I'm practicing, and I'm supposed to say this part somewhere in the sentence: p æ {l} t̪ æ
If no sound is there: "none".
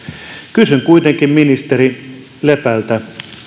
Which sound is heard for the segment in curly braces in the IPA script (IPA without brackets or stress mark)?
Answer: l